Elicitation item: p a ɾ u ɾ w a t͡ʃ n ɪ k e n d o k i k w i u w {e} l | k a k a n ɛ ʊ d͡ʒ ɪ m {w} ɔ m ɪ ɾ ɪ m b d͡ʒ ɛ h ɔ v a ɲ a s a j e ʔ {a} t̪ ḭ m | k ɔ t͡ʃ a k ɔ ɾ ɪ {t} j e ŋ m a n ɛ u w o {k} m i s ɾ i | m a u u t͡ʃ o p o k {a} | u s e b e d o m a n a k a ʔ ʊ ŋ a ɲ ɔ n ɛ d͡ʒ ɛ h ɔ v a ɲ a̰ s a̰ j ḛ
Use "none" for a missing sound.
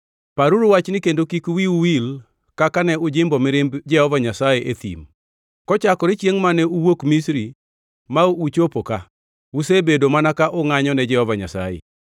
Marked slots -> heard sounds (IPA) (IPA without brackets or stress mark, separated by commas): i, b, e, t͡ʃ, k, a